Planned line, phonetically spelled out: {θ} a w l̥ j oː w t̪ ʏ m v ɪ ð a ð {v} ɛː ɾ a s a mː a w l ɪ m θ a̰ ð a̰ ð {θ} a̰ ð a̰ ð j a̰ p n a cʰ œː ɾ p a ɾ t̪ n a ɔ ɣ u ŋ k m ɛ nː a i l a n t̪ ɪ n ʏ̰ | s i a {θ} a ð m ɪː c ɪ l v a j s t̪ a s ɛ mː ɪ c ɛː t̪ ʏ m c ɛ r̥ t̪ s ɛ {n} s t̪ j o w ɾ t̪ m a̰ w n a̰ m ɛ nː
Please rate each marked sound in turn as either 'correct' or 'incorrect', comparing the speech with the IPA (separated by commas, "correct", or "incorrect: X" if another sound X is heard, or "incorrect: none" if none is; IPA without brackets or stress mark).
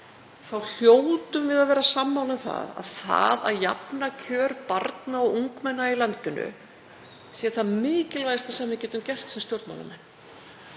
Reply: correct, correct, correct, correct, incorrect: m